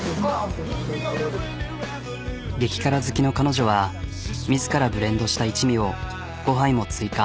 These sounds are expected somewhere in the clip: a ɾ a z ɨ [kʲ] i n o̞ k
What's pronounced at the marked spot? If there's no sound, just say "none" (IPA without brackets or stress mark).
kʲ